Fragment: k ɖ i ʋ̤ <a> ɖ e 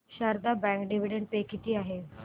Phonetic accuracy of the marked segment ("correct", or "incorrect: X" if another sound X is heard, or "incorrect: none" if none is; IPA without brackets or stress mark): incorrect: i